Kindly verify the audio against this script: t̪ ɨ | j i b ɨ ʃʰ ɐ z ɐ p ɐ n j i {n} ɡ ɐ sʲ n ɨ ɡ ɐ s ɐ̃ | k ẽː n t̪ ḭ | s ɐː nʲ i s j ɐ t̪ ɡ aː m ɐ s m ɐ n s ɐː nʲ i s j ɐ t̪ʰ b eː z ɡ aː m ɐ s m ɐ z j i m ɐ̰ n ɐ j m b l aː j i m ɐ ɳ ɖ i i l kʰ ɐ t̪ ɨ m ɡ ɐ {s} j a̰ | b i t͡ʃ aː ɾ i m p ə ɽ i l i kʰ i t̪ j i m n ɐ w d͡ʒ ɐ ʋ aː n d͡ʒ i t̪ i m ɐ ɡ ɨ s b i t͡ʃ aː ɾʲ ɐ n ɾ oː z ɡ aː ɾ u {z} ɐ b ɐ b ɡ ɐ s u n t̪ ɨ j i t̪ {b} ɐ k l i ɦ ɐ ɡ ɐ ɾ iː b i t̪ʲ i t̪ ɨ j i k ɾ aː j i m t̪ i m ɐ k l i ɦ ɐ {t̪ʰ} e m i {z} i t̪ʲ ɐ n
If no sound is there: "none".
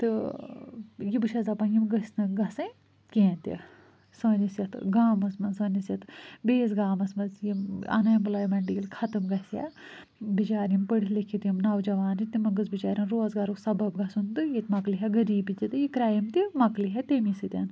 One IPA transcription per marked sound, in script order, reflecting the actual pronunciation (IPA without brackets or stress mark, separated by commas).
m, s, s, m, t̪, s